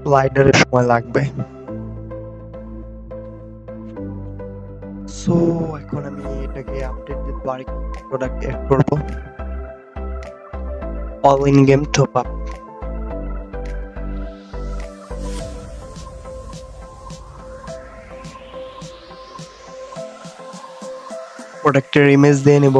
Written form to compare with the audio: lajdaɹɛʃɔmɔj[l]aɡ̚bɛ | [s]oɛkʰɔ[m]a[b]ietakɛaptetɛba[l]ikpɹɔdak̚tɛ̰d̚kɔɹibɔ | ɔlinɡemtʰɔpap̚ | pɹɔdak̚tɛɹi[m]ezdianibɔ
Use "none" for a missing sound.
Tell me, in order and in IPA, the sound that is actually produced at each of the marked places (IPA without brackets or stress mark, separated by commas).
l, s, n, m, ɹ, m